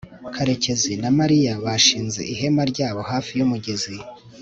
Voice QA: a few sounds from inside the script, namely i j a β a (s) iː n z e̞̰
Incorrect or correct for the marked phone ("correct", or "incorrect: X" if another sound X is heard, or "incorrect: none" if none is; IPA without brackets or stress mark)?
incorrect: ʃ